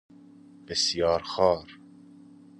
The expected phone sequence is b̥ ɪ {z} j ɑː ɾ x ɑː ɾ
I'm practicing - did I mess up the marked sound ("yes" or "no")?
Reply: yes